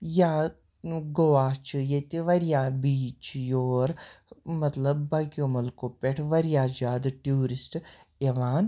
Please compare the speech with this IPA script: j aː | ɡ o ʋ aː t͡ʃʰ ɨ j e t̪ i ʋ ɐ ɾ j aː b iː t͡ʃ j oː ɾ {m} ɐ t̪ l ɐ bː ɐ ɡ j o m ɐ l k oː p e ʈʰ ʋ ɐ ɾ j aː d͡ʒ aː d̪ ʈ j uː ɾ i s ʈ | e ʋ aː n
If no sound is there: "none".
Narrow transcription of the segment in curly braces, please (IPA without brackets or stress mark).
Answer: m